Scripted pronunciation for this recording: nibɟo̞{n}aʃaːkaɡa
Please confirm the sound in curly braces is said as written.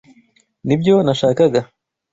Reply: yes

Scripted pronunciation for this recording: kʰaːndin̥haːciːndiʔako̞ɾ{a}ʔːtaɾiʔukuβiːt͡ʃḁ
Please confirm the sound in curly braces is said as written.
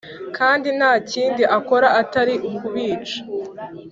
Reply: yes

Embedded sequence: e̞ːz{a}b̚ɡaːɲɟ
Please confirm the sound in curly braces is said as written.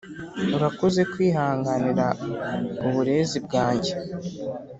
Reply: no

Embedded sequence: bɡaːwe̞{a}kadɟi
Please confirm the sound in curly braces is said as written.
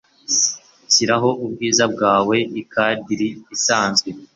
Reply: no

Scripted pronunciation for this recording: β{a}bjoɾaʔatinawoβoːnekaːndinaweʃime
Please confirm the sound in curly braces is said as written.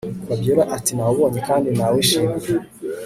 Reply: yes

